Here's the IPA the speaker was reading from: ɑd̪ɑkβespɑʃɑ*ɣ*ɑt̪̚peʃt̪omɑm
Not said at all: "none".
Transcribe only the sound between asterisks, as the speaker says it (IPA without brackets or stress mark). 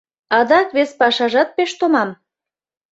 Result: ʒ